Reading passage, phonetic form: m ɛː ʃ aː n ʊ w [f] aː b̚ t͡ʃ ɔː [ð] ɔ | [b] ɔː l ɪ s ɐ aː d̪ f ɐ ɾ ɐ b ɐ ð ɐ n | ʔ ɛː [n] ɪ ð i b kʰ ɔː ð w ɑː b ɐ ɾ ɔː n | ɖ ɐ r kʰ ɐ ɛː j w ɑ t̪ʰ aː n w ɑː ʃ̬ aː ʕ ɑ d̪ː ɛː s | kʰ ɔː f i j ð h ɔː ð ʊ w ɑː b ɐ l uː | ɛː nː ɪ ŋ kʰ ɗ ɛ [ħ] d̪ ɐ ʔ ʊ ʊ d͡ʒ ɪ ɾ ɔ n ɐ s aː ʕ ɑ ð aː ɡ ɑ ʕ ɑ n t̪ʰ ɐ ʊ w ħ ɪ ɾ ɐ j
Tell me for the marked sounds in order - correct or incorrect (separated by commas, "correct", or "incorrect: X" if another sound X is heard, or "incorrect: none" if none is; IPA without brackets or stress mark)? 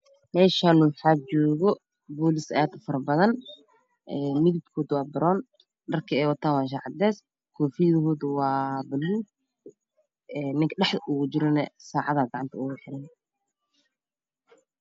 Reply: incorrect: ħ, incorrect: ɣ, correct, incorrect: m, correct